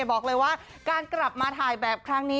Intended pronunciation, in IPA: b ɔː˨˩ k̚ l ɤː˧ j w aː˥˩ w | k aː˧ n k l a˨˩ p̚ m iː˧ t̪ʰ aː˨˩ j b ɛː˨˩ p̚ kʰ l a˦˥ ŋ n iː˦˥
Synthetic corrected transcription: b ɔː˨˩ k̚ l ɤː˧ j w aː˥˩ | k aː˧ n k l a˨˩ p̚ m aː˧ t̪ʰ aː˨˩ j b ɛː˨˩ p̚ kʰ ɾ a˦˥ ŋ n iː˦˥